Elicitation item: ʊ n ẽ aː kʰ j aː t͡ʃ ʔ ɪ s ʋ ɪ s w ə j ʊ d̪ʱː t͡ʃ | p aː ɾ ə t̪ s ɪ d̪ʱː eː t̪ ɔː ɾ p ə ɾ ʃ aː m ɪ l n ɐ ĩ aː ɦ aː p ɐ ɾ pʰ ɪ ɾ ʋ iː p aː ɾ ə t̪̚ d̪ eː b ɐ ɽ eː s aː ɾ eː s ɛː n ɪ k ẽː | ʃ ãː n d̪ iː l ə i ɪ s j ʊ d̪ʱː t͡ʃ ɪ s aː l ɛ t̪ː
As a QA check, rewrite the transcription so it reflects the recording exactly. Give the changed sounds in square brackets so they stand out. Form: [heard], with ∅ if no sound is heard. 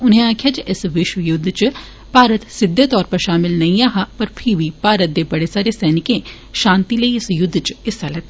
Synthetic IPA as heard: ʊ n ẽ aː kʰ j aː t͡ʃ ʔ ɪ s ʋ ɪ [ʃ] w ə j ʊ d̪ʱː t͡ʃ | p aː ɾ ə t̪ s ɪ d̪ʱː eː t̪ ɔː ɾ p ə ɾ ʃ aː m ɪ l n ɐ ĩ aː ɦ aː p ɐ ɾ pʰ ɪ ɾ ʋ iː p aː ɾ ə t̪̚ d̪ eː b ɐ ɽ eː s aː ɾ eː s ɛː n ɪ k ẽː | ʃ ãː n [t̪] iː l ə i ɪ s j ʊ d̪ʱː t͡ʃ ɪ s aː l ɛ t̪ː